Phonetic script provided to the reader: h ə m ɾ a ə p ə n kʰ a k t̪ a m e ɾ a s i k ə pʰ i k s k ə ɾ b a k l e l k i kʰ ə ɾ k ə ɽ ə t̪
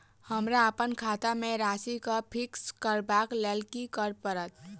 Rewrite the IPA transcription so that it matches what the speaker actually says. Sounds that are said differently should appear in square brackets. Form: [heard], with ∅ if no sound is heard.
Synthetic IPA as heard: h ə m ɾ a ə p ə n kʰ a [∅] t̪ a m e ɾ a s i k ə pʰ i k s k ə ɾ b a k l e l k i [k] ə ɾ [p] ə [ɾ] ə t̪